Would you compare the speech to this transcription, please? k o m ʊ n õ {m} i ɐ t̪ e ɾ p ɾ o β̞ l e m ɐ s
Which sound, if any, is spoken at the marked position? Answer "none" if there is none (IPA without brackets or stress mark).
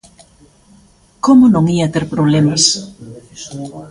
ŋ